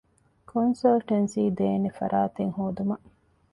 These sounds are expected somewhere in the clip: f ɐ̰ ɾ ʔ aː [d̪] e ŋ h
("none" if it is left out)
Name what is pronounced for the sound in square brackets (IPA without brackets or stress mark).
t̪